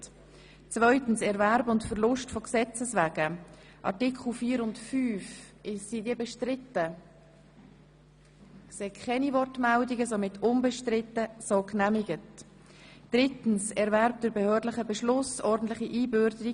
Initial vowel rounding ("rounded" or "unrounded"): rounded